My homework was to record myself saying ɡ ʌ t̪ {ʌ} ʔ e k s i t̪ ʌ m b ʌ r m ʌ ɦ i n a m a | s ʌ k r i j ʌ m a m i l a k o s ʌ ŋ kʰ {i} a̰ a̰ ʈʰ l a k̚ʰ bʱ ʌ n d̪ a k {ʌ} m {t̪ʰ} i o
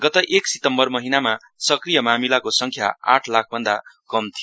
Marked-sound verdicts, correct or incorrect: correct, incorrect, correct, correct

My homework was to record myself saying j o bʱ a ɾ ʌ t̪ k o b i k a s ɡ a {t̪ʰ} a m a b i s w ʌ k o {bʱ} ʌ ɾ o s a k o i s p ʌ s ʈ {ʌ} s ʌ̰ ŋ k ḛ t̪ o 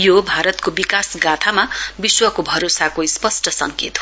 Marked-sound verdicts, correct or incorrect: correct, correct, correct

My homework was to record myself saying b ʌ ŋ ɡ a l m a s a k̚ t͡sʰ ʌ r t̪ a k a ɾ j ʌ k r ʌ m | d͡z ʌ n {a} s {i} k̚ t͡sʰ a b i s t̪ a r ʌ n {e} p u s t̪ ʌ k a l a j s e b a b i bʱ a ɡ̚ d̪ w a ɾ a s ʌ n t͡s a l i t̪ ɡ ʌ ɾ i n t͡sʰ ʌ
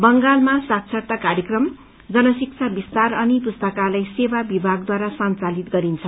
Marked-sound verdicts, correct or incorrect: incorrect, correct, incorrect

